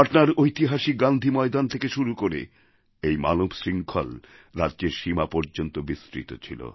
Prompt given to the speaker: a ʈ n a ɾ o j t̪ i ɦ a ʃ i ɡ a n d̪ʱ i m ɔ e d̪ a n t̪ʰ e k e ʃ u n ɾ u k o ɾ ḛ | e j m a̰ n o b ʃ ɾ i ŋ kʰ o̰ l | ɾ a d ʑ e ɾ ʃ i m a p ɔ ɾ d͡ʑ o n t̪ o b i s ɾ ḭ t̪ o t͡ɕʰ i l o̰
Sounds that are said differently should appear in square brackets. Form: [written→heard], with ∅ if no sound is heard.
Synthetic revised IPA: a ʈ n a ɾ o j t̪ i ɦ a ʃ i ɡ a n d̪ʱ i m ɔ e d̪ a n t̪ʰ e k e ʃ u [n→∅] ɾ u k o ɾ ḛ | e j m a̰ n o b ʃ ɾ i ŋ kʰ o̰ l | ɾ a d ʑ e ɾ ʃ i m a p ɔ ɾ d͡ʑ o n t̪ o b i s ɾ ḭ t̪ o t͡ɕʰ i l o̰